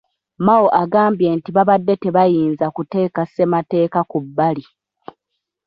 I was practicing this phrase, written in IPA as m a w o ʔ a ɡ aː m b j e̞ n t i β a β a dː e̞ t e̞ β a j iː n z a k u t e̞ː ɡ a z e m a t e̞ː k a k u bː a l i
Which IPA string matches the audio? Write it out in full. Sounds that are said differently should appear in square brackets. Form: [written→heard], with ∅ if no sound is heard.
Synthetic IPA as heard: m a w o ʔ a ɡ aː m b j e̞ n t i β a β a dː e̞ t e̞ β a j iː n z a k u t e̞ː [ɡ→k] a [z→s] e m a t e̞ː k a k u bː a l i